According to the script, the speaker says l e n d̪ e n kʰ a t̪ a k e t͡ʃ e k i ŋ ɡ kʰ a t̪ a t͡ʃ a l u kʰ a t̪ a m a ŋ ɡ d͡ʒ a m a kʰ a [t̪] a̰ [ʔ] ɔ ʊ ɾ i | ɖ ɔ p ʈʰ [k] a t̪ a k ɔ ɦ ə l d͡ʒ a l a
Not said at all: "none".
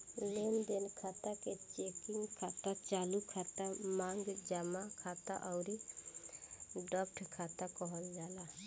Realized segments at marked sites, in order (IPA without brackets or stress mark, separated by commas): t̪, ʔ, kʰ